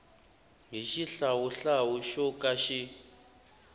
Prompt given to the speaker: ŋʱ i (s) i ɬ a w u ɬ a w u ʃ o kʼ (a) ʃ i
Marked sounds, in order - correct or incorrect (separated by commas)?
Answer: incorrect, correct